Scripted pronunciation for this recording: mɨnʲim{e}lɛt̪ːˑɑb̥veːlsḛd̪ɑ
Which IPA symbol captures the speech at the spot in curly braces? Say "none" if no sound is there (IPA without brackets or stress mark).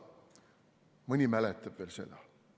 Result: æ